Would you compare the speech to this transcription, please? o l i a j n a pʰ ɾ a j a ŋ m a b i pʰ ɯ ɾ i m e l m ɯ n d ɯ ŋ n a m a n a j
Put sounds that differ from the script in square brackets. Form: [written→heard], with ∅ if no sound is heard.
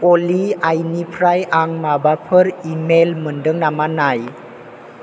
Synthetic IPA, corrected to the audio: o l i a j n [a→i] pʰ ɾ a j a ŋ m a b [i→a] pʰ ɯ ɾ i m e l m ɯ n d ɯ ŋ n a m a n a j